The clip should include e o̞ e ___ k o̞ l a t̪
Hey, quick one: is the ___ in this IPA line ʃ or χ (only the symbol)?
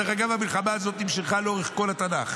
χ